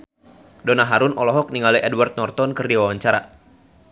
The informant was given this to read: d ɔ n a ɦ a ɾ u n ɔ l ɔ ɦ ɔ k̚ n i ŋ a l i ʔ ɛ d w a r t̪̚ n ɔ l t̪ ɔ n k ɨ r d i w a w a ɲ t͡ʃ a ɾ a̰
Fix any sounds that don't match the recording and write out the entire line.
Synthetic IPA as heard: d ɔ n a ɦ a ɾ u n ɔ l ɔ ɦ ɔ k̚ n i ŋ a l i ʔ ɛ d w a r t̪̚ n ɔ r t̪ ɔ n k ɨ r d i w a w a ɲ t͡ʃ a ɾ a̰